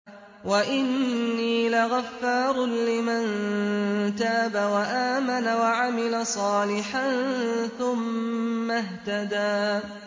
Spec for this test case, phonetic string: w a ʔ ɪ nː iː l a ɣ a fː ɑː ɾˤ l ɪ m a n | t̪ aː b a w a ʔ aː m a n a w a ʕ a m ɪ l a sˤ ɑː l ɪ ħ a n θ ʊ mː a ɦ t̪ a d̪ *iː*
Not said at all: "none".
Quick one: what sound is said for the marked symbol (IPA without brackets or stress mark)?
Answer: aː